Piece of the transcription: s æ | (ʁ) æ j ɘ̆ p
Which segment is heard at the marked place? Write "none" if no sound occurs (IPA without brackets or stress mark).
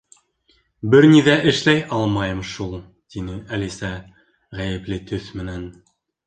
ʁ